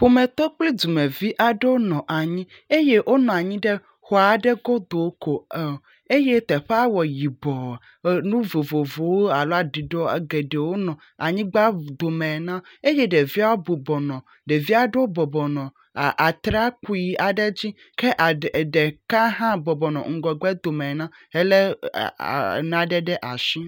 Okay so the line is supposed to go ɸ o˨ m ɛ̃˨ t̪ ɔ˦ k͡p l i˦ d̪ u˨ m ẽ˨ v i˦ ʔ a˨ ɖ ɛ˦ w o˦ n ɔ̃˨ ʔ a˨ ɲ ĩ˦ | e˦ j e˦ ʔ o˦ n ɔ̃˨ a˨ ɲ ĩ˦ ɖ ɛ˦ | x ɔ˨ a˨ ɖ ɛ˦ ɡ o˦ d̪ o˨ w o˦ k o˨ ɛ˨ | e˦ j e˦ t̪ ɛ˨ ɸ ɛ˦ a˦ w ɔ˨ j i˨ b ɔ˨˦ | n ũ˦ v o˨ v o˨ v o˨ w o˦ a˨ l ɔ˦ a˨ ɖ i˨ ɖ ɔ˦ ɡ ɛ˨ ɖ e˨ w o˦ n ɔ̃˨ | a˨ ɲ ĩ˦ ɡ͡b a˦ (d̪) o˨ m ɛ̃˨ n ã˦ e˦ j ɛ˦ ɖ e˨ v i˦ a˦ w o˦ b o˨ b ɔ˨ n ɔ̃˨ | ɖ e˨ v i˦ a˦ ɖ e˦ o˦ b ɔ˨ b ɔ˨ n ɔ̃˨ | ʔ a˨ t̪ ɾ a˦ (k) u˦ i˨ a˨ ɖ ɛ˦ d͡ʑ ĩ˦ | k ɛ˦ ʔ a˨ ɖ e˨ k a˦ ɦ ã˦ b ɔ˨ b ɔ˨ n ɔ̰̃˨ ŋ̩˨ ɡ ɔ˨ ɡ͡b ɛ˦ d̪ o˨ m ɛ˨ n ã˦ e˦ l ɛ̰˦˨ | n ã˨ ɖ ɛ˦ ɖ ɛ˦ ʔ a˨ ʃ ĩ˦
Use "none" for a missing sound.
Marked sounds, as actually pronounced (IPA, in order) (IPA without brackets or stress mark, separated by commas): d̪, k